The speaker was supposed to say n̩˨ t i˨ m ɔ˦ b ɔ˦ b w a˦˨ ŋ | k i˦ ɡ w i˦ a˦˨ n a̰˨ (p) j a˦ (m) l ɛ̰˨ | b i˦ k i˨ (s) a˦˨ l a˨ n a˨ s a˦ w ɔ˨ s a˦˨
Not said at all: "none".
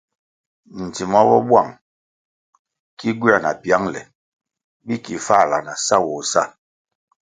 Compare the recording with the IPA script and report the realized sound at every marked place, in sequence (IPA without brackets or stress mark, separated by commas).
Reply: p, ŋ, f